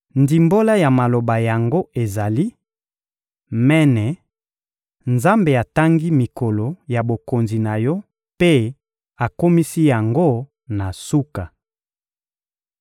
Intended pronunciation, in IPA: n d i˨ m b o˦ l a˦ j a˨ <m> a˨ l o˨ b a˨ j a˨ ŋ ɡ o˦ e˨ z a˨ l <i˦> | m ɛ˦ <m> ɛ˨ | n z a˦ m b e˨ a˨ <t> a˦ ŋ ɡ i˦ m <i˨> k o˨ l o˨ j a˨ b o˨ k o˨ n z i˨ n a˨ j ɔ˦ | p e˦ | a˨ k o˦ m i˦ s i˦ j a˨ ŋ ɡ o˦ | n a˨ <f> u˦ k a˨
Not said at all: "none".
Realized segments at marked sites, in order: m, i˦, n, t, i˨, s

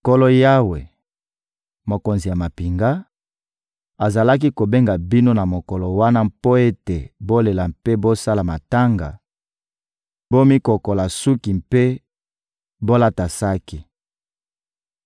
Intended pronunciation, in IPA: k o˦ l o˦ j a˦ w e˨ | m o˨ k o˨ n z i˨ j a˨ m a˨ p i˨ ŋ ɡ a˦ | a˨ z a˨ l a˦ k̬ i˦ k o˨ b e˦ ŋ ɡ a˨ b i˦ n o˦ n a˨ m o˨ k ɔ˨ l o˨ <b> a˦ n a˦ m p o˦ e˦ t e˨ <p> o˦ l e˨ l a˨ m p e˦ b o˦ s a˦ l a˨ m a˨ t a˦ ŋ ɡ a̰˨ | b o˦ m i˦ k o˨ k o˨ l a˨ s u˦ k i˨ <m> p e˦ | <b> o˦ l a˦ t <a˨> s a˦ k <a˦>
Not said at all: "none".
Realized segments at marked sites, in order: w, b, m, b, a˨, i˦

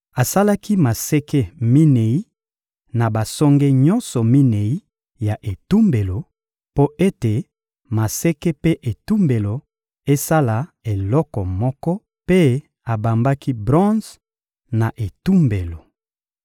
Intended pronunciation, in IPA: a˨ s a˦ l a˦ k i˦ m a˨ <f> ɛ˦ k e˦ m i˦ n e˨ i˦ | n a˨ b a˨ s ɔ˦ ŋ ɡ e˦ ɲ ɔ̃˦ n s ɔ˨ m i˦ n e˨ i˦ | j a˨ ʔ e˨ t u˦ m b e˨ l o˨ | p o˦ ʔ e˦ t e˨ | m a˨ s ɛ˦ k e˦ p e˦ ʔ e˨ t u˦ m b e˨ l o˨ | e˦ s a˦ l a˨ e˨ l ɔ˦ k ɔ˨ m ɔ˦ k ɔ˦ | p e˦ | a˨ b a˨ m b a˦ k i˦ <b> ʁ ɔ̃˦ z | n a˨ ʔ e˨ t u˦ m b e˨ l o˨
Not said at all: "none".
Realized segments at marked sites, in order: s, b

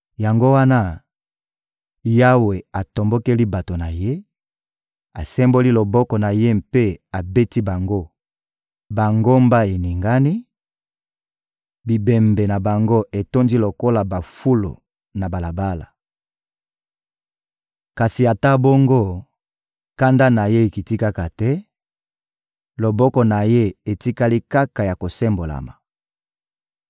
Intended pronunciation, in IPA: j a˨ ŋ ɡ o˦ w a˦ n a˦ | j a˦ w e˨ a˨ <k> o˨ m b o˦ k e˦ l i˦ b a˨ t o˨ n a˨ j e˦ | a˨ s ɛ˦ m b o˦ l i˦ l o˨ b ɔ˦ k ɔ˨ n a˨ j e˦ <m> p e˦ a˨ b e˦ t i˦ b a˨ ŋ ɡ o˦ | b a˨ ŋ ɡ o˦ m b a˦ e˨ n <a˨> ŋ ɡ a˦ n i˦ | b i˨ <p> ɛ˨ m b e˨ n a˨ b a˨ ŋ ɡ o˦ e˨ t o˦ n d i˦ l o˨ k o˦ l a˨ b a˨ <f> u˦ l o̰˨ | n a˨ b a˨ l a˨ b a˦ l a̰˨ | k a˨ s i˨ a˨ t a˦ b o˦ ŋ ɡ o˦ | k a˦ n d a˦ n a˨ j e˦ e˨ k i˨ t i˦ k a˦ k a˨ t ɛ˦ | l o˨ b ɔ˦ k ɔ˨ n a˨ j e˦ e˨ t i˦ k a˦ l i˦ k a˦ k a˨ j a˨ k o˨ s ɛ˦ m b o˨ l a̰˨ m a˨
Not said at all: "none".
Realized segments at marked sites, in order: t, m, i˨, b, f

